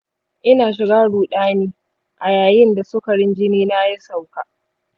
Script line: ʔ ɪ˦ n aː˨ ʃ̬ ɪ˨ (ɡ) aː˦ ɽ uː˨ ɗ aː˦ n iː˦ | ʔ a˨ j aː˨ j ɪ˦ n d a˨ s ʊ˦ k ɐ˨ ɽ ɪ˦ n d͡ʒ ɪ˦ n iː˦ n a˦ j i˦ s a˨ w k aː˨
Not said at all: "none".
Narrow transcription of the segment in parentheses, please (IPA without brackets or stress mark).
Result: ɡ